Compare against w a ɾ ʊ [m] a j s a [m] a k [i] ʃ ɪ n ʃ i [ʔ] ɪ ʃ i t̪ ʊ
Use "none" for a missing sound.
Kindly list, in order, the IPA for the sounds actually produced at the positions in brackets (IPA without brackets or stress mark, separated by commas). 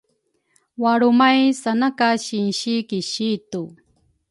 m, n, a, k